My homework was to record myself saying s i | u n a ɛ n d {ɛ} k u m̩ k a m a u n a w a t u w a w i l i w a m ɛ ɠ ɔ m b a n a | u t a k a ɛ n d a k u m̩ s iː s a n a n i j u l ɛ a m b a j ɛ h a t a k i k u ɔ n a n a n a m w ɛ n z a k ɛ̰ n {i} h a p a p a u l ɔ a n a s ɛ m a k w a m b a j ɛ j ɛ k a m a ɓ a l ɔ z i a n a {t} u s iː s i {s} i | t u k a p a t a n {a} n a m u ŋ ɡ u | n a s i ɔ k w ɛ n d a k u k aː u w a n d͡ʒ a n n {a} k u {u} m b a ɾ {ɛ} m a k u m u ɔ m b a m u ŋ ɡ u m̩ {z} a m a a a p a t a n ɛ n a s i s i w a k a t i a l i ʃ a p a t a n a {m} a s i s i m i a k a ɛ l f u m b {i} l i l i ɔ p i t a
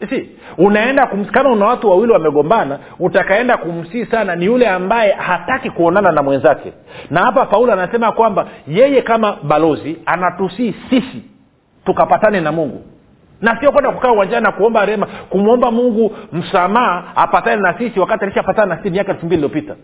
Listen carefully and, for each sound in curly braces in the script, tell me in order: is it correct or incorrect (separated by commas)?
incorrect, incorrect, correct, correct, incorrect, correct, incorrect, correct, incorrect, incorrect, correct